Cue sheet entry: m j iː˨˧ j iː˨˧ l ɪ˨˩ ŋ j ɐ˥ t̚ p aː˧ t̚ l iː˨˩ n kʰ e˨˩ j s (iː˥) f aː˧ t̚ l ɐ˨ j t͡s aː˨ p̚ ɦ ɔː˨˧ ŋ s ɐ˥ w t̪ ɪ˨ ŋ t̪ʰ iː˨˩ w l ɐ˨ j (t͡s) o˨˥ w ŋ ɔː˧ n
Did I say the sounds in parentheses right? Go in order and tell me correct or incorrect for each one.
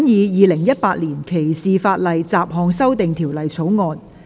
incorrect, incorrect

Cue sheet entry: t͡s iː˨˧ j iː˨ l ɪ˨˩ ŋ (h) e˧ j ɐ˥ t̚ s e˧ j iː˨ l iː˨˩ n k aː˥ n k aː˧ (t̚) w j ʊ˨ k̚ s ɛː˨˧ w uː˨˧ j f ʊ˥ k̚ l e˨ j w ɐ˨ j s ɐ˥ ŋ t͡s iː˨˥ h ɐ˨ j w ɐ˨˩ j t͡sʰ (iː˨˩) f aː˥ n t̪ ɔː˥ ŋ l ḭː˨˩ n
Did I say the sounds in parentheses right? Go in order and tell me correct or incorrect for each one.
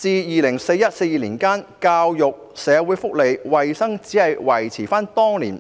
incorrect, incorrect, correct

